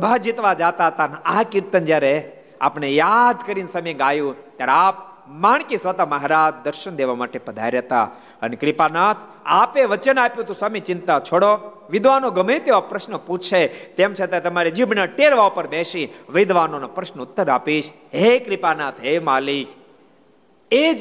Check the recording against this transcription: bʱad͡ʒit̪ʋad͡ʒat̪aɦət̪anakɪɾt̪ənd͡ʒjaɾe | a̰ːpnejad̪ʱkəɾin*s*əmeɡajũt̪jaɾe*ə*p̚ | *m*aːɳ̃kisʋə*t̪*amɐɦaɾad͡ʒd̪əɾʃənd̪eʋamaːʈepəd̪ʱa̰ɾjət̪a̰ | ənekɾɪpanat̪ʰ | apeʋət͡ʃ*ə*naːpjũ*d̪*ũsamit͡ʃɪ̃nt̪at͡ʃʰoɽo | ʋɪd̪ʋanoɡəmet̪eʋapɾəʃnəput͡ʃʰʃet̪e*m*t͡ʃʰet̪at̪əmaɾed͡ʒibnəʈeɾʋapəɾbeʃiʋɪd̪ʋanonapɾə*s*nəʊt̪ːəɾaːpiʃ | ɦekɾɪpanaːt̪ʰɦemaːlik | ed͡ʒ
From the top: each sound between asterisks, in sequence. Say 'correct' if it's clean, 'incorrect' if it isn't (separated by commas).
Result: correct, incorrect, correct, correct, correct, incorrect, correct, incorrect